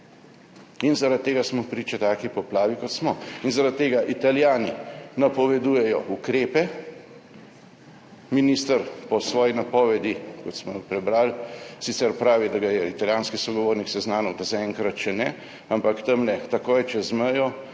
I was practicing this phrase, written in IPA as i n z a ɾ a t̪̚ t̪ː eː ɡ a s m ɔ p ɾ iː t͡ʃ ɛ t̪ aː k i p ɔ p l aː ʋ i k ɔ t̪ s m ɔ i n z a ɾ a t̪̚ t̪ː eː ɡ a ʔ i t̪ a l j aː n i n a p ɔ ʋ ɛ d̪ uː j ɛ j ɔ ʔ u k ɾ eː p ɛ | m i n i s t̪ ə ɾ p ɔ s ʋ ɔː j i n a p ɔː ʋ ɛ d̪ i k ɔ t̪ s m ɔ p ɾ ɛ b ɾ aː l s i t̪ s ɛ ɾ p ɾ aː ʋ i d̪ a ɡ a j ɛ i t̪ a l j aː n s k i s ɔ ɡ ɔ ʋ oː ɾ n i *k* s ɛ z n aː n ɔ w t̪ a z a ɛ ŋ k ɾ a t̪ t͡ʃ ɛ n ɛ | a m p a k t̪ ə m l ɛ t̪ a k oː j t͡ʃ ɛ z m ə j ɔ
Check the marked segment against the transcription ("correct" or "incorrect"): correct